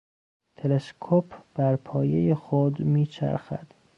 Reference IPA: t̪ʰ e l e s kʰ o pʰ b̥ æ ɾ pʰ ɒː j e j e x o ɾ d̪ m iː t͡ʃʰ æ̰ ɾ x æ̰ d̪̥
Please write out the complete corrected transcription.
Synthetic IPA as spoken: t̪ʰ e l e s kʰ o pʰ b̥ æ ɾ pʰ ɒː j e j e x o d̪ m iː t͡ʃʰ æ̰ ɾ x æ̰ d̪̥